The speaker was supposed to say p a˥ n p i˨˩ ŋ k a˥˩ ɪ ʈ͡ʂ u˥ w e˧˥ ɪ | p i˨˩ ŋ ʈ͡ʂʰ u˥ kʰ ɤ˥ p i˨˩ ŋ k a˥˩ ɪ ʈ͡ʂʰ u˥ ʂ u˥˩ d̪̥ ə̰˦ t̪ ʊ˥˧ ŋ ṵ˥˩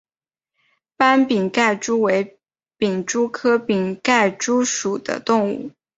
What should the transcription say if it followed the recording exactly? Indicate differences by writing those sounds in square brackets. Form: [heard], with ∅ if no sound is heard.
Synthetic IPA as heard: p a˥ n p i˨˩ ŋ k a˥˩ ɪ ʈ͡ʂ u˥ w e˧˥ ɪ | p i˨˩ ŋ [ʈ͡ʂ] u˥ kʰ ɤ˥ p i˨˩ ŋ k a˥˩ ɪ [ʈ͡ʂ] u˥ ʂ [u˨˩] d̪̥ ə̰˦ t̪ ʊ˥˧ ŋ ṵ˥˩